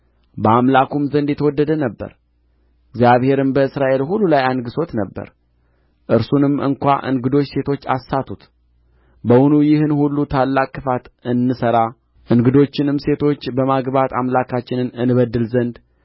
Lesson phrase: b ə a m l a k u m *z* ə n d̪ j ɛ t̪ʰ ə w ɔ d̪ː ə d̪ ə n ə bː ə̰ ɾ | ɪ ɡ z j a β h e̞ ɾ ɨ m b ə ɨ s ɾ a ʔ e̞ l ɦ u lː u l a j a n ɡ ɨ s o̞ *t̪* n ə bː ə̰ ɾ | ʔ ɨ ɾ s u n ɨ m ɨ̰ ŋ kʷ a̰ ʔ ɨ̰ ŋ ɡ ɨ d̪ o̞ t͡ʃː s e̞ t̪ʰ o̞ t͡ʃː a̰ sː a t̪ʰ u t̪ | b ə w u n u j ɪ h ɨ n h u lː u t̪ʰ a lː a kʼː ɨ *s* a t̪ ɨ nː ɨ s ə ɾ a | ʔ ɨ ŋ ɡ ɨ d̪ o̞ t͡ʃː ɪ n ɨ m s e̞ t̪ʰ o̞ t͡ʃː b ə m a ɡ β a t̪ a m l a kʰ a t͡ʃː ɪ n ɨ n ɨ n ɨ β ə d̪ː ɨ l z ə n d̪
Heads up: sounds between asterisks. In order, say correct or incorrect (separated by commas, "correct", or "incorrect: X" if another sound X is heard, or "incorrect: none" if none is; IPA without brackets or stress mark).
correct, correct, incorrect: f